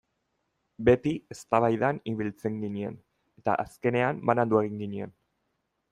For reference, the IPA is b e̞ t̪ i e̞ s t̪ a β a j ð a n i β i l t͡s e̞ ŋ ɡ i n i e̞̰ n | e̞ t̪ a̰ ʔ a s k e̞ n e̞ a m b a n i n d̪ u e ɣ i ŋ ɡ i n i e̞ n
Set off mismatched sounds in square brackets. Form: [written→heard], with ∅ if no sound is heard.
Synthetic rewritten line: b e̞ t̪ i e̞ s t̪ a β a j ð a n i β i l t͡s e̞ ŋ ɡ i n i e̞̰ n | e̞ t̪ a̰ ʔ a s k e̞ n e̞ a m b a n [i→a] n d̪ u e ɣ i ŋ ɡ i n i e̞ n